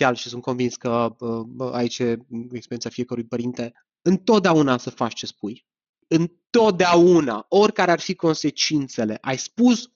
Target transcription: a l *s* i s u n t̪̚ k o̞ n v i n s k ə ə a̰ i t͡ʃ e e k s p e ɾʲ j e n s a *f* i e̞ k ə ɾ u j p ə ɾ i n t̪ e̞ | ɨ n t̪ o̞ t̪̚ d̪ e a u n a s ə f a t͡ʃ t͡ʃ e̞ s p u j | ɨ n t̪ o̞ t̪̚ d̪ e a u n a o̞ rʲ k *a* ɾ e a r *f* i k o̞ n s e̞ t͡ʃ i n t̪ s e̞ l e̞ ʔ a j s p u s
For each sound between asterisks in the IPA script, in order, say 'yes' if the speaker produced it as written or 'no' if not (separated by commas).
no, yes, yes, yes